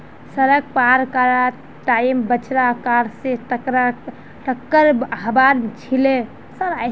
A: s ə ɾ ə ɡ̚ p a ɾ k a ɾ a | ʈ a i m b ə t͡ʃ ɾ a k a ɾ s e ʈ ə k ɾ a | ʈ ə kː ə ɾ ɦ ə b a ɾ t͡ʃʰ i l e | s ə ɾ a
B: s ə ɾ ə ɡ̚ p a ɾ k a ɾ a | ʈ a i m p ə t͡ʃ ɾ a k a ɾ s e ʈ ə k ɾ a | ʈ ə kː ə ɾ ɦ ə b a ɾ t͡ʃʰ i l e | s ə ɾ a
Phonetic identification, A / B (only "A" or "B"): A